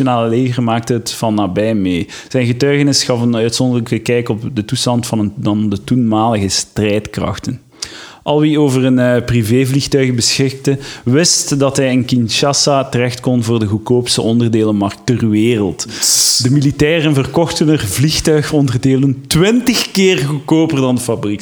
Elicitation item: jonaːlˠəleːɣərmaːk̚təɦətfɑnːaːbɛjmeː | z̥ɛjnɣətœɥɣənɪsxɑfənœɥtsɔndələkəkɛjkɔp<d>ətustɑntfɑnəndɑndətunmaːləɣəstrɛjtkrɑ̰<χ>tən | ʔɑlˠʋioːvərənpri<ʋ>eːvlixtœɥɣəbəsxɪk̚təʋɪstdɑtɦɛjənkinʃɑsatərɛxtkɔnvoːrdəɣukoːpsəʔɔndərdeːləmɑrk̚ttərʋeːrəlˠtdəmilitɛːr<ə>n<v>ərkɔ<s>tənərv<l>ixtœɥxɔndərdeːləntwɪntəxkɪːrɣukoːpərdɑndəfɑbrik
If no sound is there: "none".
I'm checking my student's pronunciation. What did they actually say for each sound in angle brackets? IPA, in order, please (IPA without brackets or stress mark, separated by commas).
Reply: d, x, v, ə, v, x, l